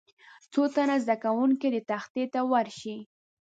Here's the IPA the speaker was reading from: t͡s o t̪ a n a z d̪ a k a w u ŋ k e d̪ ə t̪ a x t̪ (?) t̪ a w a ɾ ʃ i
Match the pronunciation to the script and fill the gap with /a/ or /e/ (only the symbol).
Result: e